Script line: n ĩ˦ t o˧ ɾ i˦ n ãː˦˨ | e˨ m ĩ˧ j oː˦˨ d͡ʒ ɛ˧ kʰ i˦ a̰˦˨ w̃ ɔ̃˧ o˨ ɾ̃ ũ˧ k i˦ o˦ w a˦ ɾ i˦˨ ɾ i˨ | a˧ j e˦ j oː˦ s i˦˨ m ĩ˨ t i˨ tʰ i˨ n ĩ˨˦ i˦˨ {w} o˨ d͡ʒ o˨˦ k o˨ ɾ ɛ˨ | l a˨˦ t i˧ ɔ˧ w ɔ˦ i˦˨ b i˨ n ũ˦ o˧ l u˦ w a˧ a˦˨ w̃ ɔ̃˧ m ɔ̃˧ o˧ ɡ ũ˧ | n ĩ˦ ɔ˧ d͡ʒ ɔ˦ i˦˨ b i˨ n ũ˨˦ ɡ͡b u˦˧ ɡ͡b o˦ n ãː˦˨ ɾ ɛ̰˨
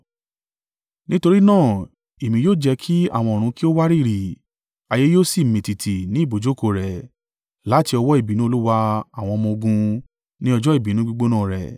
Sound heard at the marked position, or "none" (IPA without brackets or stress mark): b